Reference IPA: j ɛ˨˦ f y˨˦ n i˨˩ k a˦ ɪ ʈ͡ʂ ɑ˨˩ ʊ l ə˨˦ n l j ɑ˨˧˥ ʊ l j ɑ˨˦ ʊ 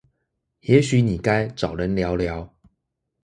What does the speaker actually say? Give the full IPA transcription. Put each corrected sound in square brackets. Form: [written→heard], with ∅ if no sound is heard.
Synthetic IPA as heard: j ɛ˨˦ [f→ɕ] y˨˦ n i˨˩ k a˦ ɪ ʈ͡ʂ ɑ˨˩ ʊ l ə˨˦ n l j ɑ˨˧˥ ʊ l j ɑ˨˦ ʊ